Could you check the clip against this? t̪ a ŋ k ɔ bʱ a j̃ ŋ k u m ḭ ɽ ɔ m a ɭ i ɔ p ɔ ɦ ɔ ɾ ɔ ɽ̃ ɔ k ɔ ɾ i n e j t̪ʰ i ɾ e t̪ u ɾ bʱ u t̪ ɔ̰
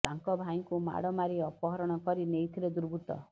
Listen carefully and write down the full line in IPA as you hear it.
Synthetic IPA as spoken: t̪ a ŋ k ɔ bʱ a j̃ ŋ k u m a̰ ɽ ɔ m a ɾ i ɔ p ɔ ɦ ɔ ɾ ɔ ɽ̃ ɔ k ɔ ɾ i n e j t̪ʰ i ɾ e d̪ u ɾ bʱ u t̪ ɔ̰